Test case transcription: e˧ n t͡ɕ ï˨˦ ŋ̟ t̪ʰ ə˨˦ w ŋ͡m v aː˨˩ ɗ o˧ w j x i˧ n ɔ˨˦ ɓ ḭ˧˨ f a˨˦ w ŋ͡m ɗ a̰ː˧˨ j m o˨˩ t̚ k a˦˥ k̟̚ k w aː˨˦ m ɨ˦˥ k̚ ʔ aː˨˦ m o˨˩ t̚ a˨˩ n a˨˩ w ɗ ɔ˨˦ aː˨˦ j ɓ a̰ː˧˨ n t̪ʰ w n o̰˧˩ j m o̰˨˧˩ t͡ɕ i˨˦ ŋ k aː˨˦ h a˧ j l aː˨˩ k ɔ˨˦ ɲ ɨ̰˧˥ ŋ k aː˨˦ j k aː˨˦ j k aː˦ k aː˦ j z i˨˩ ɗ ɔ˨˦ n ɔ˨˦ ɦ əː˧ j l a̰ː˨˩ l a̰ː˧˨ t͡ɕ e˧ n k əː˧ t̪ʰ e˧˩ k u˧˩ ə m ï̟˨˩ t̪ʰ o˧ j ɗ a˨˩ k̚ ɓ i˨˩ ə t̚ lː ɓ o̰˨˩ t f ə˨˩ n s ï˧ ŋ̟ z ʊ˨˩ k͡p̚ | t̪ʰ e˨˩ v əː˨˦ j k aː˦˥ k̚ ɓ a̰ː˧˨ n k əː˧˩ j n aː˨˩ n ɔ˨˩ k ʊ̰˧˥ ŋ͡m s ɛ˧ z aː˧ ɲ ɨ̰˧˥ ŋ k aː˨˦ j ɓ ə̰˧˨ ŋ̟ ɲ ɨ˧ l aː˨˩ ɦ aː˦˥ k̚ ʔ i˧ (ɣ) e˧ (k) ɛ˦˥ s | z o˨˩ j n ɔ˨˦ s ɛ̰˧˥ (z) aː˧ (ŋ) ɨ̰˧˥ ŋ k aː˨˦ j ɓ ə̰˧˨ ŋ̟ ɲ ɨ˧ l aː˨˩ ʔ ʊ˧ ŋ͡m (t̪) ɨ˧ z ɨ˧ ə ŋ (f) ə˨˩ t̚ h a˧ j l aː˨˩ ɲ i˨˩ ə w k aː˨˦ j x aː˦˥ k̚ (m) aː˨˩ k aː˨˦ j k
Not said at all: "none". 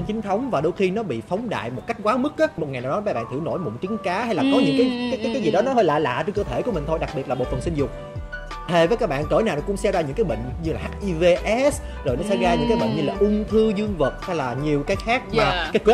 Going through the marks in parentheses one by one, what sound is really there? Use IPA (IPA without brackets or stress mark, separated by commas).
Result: v, ʔ, ɣ, ɲ, t̪ʰ, v, m